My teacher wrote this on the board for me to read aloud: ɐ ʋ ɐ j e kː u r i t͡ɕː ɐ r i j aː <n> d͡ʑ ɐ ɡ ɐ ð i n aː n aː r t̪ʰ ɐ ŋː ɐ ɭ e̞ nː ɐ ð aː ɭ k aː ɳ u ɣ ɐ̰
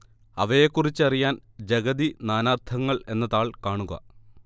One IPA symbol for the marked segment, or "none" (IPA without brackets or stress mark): n